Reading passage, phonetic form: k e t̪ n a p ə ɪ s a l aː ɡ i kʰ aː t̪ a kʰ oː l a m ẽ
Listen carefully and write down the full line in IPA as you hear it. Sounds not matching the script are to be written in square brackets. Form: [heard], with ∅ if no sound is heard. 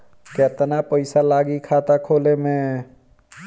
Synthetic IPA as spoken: k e t̪ n a p ə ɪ s a l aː ɡ i kʰ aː t̪ a kʰ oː l [e] m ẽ